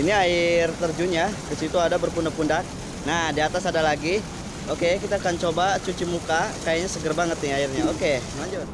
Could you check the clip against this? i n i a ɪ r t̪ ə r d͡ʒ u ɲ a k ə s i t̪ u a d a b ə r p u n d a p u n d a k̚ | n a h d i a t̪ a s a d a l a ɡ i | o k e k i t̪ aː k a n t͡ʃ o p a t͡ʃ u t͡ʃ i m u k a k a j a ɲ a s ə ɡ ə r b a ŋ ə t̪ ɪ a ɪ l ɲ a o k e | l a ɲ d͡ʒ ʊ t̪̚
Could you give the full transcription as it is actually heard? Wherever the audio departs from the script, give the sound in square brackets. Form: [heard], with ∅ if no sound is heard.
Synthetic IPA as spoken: i n i a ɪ r t̪ ə r d͡ʒ u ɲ a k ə s i t̪ u a d a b ə r p u n d a p u n d a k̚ | n a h d i a t̪ a s a d a l a ɡ i | o k e k i t̪ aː k a n t͡ʃ o [b] a t͡ʃ u t͡ʃ i m u k a k a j a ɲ a s ə ɡ ə r b a ŋ ə t̪ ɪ a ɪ [r] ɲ a o k e | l a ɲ d͡ʒ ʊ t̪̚